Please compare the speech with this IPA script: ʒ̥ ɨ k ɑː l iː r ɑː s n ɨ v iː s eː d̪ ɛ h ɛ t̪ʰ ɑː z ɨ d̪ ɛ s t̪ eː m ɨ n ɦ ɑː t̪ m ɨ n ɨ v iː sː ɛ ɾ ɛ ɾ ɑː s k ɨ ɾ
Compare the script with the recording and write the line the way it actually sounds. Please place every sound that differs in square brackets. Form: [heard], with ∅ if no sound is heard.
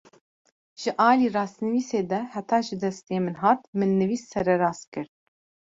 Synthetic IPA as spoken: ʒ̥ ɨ [ʔ] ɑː l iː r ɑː s n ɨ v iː s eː d̪ ɛ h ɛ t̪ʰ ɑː [ʒ] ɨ d̪ ɛ s t̪ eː m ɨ n ɦ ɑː t̪ m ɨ [nː] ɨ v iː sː ɛ ɾ ɛ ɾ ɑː s k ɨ ɾ